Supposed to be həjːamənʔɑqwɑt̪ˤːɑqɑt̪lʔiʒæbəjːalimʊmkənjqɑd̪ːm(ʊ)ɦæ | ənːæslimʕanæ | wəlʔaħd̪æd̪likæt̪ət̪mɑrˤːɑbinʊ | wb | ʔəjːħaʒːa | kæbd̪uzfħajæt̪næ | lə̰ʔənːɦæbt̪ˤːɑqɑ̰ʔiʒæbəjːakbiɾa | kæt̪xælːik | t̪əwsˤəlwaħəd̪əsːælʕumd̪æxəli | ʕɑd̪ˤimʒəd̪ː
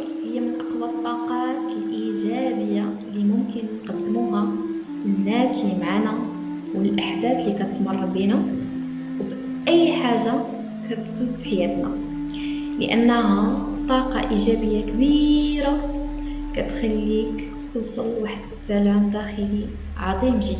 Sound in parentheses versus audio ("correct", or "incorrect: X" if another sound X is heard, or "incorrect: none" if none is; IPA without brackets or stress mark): incorrect: u